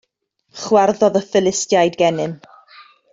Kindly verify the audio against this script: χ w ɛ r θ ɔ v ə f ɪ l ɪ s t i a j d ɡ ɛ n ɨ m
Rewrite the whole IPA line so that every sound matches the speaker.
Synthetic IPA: χ w ɛ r ð ɔ ð ə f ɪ l ɪ s t j a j d ɡ ɛ n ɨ m

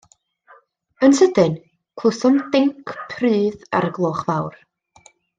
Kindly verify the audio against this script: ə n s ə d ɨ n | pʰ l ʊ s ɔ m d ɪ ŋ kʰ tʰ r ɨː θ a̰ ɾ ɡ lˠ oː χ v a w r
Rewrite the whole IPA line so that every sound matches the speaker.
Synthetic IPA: ə n s ə d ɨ n | kʰ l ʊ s ɔ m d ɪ ŋ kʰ pʰ r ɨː ð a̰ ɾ ɡ lˠ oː χ v a w r

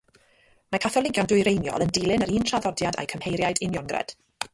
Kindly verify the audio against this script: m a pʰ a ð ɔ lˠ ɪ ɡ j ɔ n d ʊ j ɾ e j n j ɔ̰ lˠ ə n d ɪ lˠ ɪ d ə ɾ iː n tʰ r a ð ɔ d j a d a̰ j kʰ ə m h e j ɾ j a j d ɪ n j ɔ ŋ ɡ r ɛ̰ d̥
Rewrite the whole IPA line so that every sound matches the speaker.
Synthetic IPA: m a kʰ a θ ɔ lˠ ɪ ɡ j ɔ n d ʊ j ɾ e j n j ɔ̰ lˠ ə n d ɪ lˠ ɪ n ə ɾ iː n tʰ r a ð ɔ d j a d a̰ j kʰ ə m h e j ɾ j a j d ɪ n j ɔ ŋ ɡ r ɛ̰ d̥

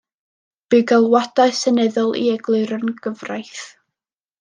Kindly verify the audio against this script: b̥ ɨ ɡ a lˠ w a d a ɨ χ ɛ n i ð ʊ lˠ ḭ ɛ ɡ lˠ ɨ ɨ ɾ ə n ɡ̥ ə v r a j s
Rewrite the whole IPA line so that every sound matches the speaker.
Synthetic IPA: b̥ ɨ ɡ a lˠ w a d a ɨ s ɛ n ɛ ð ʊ lˠ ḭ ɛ ɡ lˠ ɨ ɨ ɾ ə n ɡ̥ ə v r a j θ

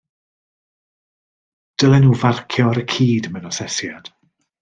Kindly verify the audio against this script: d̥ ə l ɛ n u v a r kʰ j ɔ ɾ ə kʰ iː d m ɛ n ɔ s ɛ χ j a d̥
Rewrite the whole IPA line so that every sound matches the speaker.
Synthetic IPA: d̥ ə l ɛ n u v a r kʰ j ɔ ɾ ə kʰ iː d m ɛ n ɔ s ɛ s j a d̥

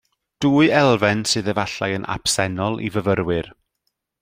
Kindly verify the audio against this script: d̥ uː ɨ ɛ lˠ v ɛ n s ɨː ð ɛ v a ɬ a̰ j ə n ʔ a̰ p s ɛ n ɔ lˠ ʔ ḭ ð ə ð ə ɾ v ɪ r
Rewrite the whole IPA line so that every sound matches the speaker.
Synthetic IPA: d̥ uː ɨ ɛ lˠ v ɛ n s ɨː ð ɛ v a ɬ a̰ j ə n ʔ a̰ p s ɛ n ɔ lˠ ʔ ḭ v ə v ə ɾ w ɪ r

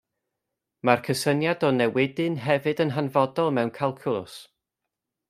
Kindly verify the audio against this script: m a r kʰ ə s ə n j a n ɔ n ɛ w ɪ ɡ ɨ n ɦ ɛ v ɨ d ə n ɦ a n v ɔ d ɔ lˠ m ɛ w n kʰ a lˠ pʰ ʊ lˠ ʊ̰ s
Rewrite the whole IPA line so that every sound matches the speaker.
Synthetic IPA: m a r kʰ ə s ə n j a d ɔ n ɛ w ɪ d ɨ n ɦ ɛ v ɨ d ə n ɦ a n v ɔ d ɔ lˠ m ɛ w n kʰ a lˠ kʰ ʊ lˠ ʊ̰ s

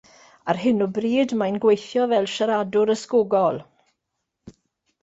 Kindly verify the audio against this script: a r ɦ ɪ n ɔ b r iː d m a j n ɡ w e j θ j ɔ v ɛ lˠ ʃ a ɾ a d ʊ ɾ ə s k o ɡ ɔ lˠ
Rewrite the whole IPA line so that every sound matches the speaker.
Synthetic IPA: a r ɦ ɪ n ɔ b r iː d m a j n ɡ w e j θ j ɔ v ɛ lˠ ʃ a ɾ a d ʊ ɾ ə s k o ɡ ɔ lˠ

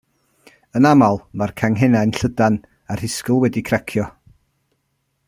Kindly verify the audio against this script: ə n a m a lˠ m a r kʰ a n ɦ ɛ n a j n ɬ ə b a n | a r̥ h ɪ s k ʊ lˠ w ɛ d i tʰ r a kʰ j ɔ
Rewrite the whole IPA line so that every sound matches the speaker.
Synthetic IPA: ə n a m a lˠ m a r kʰ a ŋ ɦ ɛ n a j n ɬ ə d a n | a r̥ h ɪ s k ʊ lˠ w ɛ d i kʰ r a kʰ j ɔ

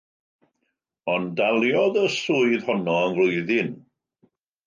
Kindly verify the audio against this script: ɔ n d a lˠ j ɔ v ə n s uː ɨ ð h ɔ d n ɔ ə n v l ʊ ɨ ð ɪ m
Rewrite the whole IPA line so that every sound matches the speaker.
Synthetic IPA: ɔ n d a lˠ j ɔ ð ə s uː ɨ ð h ɔ n ɔ ə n v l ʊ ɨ ð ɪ n

